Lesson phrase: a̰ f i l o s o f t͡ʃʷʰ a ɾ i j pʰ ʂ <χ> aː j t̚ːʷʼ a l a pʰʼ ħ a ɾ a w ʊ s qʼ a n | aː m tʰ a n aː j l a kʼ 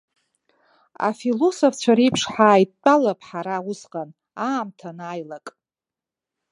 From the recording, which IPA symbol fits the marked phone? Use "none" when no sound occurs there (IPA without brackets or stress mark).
ħ